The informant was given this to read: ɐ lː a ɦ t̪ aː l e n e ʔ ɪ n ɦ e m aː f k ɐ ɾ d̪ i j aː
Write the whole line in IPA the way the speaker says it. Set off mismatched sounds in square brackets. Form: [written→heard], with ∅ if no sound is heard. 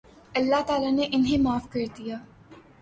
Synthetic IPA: ɐ lː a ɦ t̪ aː l [e→a] n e ʔ ɪ n ɦ e m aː f k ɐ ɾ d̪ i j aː